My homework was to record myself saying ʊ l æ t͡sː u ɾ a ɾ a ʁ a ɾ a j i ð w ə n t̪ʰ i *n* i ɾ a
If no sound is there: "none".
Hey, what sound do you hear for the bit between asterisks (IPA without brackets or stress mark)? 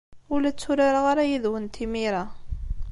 m